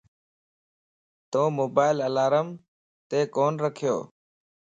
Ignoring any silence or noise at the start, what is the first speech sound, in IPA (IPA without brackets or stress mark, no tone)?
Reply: t̪